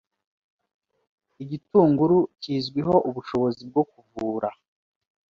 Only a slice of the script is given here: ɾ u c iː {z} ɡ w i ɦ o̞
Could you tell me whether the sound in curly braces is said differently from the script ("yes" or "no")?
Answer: no